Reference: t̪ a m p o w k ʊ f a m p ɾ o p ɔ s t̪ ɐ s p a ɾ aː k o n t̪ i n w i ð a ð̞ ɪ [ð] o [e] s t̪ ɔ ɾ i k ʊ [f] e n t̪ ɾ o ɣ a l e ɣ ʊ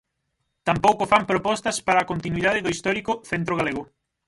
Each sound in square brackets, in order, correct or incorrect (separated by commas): correct, incorrect, incorrect